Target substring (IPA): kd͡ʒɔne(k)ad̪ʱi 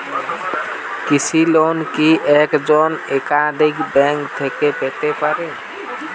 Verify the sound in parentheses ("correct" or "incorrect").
correct